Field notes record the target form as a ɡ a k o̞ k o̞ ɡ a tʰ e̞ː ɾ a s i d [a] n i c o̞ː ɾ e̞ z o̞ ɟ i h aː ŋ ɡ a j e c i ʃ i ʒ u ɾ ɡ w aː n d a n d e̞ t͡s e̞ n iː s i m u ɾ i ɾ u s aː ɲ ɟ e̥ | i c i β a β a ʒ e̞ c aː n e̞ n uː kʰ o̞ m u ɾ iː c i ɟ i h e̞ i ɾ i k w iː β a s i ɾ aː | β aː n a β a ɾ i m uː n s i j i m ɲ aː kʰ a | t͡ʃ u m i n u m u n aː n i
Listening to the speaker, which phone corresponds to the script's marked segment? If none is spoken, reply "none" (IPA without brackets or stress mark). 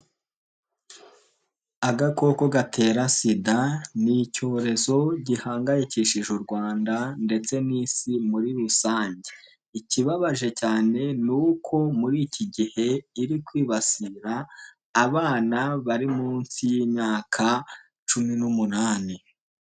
a